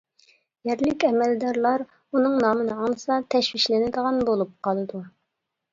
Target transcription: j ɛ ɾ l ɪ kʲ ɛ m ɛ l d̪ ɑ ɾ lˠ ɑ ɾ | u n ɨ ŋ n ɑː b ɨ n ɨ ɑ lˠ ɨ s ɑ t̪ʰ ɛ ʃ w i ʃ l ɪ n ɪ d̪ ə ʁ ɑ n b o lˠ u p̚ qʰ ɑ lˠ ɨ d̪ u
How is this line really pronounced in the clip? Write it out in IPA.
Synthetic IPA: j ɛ ɾ l ɪ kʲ ɛ m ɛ l d̪ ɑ ɾ lˠ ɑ ɾ | u n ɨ ŋ n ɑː m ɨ n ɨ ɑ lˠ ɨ s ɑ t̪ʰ ɛ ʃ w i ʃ l ɪ n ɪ d̪ ə ʁ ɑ n b o lˠ u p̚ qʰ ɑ lˠ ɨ d̪ u